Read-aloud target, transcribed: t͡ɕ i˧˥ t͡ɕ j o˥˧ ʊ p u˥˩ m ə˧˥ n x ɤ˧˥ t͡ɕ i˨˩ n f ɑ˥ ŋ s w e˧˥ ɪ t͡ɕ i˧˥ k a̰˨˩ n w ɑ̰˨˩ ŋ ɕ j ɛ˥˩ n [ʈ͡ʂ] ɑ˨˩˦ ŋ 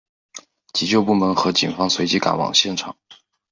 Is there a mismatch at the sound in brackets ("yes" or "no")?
yes